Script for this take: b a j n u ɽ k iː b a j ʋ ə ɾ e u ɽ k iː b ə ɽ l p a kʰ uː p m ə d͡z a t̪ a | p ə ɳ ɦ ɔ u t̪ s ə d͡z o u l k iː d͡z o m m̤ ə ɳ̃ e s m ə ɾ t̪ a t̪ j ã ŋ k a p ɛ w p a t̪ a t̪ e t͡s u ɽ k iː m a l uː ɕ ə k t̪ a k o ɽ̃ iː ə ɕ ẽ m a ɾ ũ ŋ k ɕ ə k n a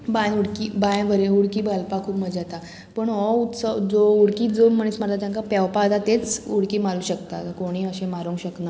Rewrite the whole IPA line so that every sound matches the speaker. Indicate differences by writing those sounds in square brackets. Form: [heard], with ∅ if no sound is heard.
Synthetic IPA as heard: b a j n u ɽ k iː b a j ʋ ə ɾ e u ɽ k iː b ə [∅] l p a kʰ uː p m ə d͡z a t̪ a | p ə ɳ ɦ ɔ u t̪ s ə d͡z o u [ɽ] k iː d͡z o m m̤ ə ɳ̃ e s m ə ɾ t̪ a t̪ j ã ŋ k a p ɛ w p a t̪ a t̪ e t͡s u ɽ k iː m a l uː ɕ ə k t̪ a k o ɽ̃ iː ə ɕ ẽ m a ɾ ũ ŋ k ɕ ə k n a